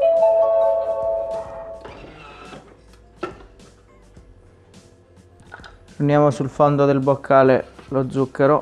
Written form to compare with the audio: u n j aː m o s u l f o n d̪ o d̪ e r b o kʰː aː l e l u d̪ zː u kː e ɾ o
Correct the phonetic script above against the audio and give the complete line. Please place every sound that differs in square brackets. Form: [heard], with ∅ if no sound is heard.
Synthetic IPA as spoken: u n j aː m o s u l f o n d̪ o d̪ e [l] b o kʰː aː l e l [o] d̪ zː u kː e ɾ o